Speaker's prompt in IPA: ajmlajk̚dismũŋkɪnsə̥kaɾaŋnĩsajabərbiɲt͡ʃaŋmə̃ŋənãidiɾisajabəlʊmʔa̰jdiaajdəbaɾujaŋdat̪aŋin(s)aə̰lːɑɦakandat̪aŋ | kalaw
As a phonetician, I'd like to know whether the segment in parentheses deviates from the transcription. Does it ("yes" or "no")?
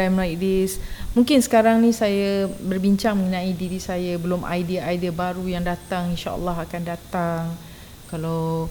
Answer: yes